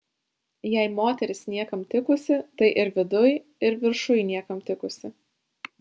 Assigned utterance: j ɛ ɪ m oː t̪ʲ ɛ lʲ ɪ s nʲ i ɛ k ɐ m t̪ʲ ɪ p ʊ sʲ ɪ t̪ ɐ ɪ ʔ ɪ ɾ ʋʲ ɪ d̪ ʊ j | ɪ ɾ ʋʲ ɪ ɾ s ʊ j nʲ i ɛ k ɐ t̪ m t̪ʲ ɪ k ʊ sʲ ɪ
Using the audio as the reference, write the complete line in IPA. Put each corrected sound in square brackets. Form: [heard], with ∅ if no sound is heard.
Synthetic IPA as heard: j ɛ ɪ m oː t̪ʲ ɛ [ɾʲ] ɪ s nʲ i ɛ k ɐ m t̪ʲ ɪ [k] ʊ sʲ ɪ t̪ ɐ ɪ ʔ ɪ ɾ ʋʲ ɪ d̪ ʊ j | ɪ ɾ ʋʲ ɪ ɾ [ʃ] ʊ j nʲ i ɛ k ɐ [∅] m t̪ʲ ɪ k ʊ sʲ ɪ